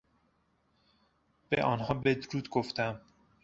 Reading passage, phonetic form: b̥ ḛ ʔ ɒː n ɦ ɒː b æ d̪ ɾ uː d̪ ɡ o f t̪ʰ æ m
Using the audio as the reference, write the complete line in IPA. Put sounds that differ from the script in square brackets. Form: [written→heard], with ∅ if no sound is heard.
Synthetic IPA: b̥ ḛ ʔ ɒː n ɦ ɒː b [æ→e] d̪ ɾ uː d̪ ɡ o f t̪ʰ æ m